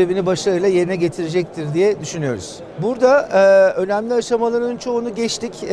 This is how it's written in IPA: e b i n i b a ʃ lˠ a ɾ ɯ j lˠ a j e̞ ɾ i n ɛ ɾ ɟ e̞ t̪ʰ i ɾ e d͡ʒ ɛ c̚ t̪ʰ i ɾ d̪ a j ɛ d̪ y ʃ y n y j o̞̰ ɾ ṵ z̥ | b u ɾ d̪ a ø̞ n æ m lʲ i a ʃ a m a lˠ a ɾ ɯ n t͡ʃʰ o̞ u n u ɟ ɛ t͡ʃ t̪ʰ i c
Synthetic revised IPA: e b i n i b a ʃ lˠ a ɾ ɯ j lˠ a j e̞ ɾ i n ɛ ɟ e̞ t̪ʰ i ɾ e d͡ʒ ɛ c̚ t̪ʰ i ɾ d̪ i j ɛ d̪ y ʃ y n y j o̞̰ ɾ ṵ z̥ | b u ɾ d̪ a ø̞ n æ m lʲ i a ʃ a m a lˠ a ɾ ɯ n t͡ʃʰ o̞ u n u ɟ ɛ t͡ʃ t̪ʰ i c

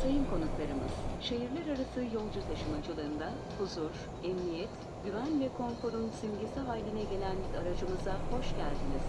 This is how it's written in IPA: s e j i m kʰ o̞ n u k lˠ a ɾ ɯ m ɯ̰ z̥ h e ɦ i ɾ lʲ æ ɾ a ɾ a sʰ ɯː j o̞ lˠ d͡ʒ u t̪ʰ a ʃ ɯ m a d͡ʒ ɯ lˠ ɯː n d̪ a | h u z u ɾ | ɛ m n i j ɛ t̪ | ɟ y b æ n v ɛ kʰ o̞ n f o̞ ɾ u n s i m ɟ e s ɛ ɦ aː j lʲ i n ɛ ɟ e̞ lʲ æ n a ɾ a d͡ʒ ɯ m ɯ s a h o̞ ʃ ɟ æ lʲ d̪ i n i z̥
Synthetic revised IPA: s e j i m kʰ o̞ n u k lˠ a ɾ ɯ m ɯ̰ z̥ ʃ e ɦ i ɾ lʲ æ ɾ a ɾ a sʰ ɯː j o̞ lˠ d͡ʒ u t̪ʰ a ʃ ɯ m a d͡ʒ ɯ lˠ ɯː n d̪ a | h u z u ɾ | ɛ m n i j ɛ t̪ | ɟ y v æ n v ɛ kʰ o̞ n f o̞ ɾ u n s i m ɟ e s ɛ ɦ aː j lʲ i n ɛ ɟ e̞ lʲ æ n a ɾ a d͡ʒ ɯ m ɯ z a h o̞ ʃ ɟ æ lʲ d̪ i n i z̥

